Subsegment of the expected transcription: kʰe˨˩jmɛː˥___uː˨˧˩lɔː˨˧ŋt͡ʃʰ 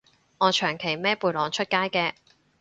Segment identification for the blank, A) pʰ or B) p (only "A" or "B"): B